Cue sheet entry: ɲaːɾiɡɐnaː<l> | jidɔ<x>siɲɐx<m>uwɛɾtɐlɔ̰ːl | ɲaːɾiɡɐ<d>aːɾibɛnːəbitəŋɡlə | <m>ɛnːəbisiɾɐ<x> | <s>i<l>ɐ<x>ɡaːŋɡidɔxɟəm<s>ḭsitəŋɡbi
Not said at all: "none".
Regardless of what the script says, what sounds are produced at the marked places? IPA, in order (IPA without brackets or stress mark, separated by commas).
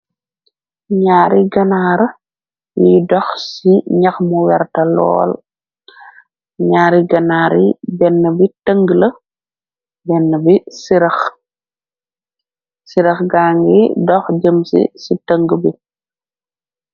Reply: ɾ, x, m, n, b, x, s, ɾ, x, s